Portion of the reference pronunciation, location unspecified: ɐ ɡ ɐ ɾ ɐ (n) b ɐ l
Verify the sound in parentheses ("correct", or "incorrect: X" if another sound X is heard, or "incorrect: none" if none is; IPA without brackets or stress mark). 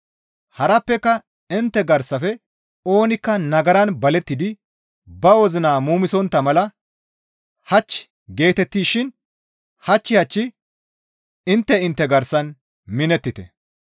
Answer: correct